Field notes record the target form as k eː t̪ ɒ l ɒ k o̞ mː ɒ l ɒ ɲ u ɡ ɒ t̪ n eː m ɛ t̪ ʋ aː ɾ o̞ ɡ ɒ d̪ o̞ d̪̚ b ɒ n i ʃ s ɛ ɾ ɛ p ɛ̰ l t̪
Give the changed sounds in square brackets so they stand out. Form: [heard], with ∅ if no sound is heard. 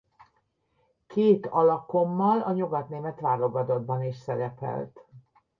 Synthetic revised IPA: k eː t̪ ɒ l ɒ k o̞ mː ɒ l ɒ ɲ u ɡ ɒ t̪ n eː m ɛ t̪ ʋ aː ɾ o̞ ɡ ɒ d̪ o̞ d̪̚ b ɒ n i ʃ s ɛ ɾ ɛ p ɛ̰ l t̪